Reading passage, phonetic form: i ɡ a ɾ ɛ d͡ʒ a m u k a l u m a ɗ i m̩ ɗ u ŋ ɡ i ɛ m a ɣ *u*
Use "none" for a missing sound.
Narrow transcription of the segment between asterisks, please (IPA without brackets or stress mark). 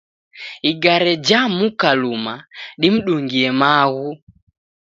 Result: u